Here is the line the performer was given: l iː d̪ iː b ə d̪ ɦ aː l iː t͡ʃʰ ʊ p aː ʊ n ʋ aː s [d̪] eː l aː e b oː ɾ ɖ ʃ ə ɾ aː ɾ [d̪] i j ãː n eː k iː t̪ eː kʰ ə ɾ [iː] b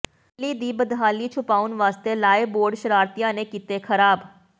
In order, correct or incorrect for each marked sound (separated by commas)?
incorrect, incorrect, incorrect